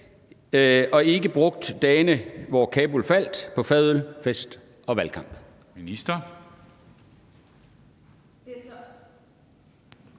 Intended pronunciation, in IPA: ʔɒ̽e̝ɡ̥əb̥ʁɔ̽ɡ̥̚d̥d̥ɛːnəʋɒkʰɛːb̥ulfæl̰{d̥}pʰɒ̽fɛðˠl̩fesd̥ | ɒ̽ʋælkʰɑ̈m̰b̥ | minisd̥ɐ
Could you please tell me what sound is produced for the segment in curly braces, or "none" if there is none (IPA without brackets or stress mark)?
d̥